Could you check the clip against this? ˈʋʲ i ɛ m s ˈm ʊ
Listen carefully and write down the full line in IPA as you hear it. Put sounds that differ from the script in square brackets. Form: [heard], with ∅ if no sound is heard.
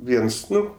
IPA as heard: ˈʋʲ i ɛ [n] s [ˈn] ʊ